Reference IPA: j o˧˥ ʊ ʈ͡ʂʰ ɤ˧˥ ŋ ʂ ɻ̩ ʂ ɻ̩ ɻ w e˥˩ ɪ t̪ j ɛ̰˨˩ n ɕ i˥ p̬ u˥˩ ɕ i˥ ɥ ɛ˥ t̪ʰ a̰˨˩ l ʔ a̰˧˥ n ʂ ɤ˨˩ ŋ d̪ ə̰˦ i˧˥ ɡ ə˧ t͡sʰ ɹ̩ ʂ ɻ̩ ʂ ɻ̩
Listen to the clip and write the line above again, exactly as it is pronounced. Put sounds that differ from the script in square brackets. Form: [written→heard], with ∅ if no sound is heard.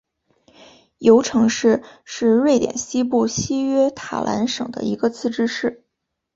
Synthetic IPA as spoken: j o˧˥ ʊ ʈ͡ʂʰ ɤ˧˥ ŋ ʂ ɻ̩ ʂ ɻ̩ ɻ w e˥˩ ɪ t̪ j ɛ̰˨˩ n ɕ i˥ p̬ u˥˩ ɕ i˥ ɥ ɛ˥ t̪ʰ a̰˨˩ l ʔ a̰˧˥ n ʂ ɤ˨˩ ŋ d̪ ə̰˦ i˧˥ ɡ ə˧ t͡sʰ ɹ̩ [ʂ→ʈ͡ʂ] ɻ̩ ʂ ɻ̩